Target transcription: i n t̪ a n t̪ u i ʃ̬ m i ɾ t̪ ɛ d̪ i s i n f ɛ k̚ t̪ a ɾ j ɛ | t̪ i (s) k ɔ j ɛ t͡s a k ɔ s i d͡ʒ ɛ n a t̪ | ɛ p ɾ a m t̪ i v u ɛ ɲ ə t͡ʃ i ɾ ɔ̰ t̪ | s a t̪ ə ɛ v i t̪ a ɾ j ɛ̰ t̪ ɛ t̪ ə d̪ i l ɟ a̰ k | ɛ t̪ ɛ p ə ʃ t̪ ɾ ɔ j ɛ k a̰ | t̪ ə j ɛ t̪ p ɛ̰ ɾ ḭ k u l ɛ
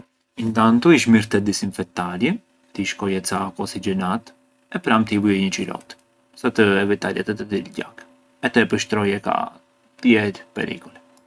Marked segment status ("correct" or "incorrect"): incorrect